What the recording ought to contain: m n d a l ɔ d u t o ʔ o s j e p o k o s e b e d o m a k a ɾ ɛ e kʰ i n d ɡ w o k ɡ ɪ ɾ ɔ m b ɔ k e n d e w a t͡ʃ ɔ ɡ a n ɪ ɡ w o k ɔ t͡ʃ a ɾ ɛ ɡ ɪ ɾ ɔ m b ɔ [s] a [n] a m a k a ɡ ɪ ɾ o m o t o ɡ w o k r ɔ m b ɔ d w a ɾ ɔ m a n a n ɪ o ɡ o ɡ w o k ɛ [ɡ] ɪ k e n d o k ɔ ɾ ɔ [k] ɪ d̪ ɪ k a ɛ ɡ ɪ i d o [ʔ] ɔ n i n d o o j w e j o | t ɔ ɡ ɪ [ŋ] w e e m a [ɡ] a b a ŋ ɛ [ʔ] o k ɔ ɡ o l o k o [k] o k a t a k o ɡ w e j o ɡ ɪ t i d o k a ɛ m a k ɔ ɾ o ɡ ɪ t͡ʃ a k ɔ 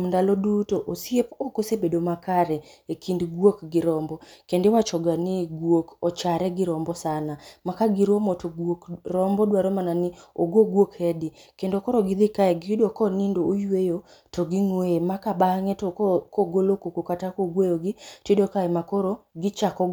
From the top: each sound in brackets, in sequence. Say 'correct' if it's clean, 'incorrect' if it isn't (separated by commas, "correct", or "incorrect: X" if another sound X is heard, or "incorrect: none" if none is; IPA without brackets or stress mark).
correct, correct, incorrect: d, incorrect: ɡ, incorrect: k, correct, incorrect: k, incorrect: t, correct